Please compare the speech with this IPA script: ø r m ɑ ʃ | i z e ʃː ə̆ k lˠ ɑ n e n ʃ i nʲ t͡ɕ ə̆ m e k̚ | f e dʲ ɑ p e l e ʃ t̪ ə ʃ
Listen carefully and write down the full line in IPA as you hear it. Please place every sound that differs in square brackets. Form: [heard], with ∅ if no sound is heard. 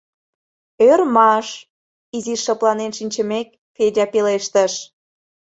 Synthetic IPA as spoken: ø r m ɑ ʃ | i z [i] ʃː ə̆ [p] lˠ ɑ n e n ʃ i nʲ t͡ɕ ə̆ m e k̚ | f e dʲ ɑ p e l e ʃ t̪ ə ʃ

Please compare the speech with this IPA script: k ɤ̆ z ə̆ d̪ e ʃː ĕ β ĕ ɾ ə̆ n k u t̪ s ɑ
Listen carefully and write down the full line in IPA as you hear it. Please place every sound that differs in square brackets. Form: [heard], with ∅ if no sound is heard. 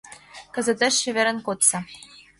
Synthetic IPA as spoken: k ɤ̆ z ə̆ [t̪] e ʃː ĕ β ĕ ɾ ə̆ n k [o] t̪ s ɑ

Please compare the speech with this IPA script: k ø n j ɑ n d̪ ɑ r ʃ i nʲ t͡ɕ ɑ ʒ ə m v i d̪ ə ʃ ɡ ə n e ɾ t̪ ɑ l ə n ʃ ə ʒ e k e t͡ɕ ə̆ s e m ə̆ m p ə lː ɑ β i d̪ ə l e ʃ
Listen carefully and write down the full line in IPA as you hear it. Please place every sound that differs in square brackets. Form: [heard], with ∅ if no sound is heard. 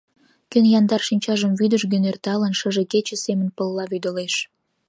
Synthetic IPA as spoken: k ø n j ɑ n d̪ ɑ r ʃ i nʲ t͡ɕ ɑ ʒ ə m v [y] d̪ ə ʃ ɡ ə n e [r] t̪ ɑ l ə n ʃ ə ʒ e k e t͡ɕ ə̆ s e m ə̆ [n] p ə lː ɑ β [y] d̪ ə l e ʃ

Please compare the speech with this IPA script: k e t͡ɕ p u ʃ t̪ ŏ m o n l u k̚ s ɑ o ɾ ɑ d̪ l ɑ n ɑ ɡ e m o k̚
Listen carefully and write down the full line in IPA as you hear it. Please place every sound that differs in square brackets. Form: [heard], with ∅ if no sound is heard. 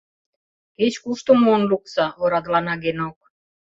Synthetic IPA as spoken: k e t͡ɕ [k] u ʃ t̪ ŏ m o n l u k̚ s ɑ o ɾ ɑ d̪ l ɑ n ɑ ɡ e [n] o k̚

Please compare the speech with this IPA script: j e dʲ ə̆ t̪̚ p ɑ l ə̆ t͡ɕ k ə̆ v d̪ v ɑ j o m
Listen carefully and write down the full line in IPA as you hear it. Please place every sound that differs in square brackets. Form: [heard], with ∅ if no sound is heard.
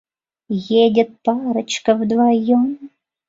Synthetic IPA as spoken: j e dʲ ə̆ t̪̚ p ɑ [ɾ] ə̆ t͡ɕ k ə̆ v d̪ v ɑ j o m

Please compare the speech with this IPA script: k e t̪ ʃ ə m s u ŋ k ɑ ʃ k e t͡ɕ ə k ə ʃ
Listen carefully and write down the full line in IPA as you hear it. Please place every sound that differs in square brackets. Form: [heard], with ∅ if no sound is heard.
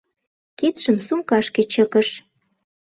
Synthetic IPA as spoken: k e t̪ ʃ ə m s u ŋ k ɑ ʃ k e t͡ɕ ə k ə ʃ

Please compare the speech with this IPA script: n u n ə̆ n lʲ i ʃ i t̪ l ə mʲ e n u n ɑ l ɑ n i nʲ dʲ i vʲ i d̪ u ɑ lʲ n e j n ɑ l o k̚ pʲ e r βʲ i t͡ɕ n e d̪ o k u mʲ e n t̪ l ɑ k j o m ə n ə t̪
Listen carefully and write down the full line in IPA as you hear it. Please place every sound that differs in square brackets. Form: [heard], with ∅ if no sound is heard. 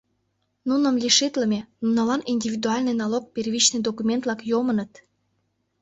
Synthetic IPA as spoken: n u n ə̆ [m] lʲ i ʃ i t̪ l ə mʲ e n u n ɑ l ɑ n i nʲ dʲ i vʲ i d̪ u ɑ lʲ n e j n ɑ l o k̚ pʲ e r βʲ i t͡ɕ n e d̪ o k u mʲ e n t̪ l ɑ k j o m ə n ə t̪

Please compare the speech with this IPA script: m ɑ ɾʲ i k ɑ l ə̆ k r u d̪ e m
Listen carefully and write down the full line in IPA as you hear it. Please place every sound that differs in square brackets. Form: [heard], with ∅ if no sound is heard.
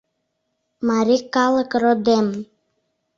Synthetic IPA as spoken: m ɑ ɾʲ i k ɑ l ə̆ k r [o] d̪ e m

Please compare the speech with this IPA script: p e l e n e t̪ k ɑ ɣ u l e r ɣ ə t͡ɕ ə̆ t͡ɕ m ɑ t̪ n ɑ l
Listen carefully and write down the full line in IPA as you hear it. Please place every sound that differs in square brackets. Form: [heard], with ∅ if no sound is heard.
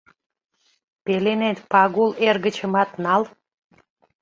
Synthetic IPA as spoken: p e l e n e t̪ [p] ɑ ɣ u l e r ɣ ə t͡ɕ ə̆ [∅] m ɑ t̪ n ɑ l

